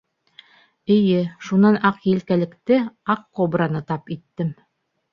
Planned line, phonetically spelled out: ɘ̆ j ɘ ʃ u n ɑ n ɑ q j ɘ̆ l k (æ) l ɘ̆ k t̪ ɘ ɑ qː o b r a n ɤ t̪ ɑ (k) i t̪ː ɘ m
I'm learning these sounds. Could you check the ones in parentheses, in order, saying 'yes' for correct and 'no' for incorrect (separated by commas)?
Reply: yes, no